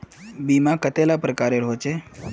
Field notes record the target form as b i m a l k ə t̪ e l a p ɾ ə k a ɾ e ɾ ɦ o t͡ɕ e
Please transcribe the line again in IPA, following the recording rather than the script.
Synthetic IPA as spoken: b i m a k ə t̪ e l a p ɾ ə k a ɾ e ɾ ɦ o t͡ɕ e